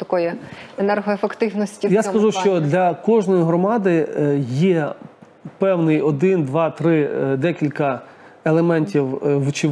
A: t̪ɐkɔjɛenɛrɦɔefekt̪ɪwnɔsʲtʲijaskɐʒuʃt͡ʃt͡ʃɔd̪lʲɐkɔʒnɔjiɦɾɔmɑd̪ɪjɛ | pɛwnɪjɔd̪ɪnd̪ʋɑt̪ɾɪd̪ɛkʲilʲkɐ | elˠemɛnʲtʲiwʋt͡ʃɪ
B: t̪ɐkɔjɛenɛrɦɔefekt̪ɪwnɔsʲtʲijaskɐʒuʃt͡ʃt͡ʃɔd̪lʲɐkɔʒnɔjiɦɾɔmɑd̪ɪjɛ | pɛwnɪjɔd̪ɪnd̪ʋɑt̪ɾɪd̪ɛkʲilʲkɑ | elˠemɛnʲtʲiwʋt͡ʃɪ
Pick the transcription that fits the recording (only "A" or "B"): A